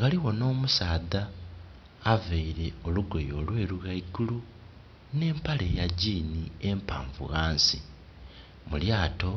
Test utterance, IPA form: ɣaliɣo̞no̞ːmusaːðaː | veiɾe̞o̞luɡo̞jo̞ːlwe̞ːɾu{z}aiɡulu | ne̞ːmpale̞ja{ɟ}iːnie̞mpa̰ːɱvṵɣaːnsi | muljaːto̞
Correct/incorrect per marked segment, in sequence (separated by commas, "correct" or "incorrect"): incorrect, correct